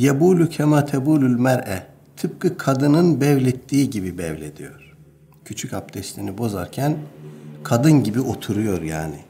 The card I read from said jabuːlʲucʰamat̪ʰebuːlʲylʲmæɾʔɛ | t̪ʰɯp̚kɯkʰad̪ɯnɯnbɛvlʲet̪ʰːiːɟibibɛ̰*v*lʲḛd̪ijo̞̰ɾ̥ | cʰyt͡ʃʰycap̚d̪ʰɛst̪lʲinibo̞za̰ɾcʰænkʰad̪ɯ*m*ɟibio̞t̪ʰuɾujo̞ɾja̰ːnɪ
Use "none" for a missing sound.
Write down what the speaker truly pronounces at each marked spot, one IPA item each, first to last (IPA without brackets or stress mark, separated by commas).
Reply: v, n